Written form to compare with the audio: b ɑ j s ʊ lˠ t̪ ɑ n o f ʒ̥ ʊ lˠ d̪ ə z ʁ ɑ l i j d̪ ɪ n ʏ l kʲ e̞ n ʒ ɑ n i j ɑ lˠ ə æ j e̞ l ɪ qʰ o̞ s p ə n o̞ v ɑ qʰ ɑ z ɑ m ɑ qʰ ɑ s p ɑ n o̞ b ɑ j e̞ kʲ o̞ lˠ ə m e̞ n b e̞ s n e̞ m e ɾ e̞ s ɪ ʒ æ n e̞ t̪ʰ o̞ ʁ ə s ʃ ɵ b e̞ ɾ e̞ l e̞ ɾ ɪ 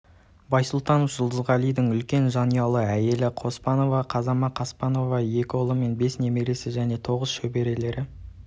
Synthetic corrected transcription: b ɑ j s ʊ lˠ t̪ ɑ n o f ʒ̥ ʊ lˠ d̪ ə z ʁ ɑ l i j d̪ ɪ ŋ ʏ l kʲ e̞ n ʒ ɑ n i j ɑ lˠ ə æ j e̞ l ɪ qʰ o̞ s p ɑ n o̞ v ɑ qʰ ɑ z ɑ m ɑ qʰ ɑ s p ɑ n o̞ v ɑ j e̞ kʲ o̞ lˠ ə m e̞ n b e̞ s n e̞ m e ɾ e̞ s ɪ ʒ æ n e̞ t̪ʰ o̞ ʁ ə s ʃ ɵ b e̞ ɾ e̞ l e̞ ɾ ɪ